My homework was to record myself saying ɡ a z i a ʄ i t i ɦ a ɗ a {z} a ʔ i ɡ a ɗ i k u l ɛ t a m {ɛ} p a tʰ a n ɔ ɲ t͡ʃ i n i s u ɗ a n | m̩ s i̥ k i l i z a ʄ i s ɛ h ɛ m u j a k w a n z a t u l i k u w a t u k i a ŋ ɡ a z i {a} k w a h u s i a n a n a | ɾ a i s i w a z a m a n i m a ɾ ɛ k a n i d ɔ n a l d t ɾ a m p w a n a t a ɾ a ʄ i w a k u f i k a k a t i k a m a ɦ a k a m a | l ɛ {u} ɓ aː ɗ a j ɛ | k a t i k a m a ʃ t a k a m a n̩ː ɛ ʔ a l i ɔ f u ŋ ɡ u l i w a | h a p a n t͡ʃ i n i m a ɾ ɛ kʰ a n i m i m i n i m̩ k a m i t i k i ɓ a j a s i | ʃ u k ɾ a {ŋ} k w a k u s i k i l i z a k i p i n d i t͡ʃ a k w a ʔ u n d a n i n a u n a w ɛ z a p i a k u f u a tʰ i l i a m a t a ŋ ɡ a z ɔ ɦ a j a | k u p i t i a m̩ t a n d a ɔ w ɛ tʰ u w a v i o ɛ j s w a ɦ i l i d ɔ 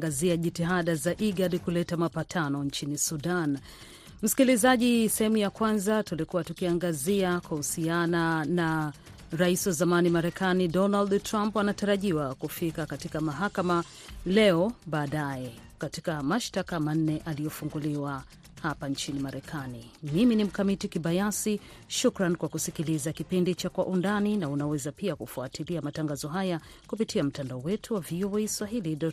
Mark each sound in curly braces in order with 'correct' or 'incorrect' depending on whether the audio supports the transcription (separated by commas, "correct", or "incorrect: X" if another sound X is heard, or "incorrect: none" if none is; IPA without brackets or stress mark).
correct, incorrect: a, correct, incorrect: ɔ, incorrect: n